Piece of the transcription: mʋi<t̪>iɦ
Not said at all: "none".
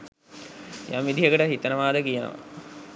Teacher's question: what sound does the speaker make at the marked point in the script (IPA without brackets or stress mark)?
d̪